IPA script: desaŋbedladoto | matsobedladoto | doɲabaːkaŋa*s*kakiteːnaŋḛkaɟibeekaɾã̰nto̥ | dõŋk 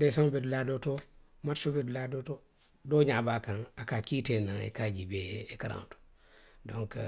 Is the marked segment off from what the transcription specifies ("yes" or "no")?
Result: yes